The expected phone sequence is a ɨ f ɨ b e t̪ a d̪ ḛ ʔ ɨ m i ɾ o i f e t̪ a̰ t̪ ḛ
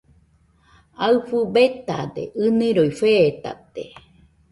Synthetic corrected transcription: a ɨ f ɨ b e t̪ a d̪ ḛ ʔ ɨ n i ɾ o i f e t̪ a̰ t̪ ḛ